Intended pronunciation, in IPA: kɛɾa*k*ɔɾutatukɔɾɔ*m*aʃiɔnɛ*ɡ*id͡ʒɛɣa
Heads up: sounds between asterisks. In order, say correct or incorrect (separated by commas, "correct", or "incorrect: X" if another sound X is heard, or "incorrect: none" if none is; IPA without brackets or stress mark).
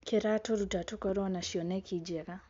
incorrect: t, incorrect: n, incorrect: k